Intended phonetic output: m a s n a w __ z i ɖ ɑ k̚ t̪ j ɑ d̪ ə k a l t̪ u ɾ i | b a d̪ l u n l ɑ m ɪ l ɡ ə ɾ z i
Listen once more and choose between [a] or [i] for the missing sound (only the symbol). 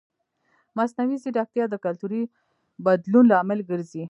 i